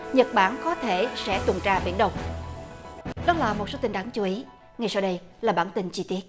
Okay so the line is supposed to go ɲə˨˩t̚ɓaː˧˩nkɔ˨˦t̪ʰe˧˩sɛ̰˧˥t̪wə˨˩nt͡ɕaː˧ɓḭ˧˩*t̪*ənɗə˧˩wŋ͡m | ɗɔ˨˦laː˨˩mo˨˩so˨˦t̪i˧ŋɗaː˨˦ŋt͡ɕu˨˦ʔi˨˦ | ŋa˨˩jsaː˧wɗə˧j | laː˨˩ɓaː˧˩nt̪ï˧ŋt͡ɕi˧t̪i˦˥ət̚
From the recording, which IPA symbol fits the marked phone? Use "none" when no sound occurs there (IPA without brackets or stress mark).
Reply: none